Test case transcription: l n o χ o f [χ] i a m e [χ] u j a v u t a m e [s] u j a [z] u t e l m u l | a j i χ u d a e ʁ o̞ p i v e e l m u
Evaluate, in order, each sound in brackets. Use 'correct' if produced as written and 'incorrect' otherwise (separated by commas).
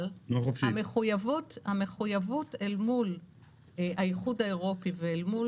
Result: incorrect, correct, incorrect, incorrect